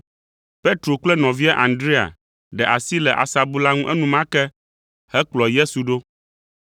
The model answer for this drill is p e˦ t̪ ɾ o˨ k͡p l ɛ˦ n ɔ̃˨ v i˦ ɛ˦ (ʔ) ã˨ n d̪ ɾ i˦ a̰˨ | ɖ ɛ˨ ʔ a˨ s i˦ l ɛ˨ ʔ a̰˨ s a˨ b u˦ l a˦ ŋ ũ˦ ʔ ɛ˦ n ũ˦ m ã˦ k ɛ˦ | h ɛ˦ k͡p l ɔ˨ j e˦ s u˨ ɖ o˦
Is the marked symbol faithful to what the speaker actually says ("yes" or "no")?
yes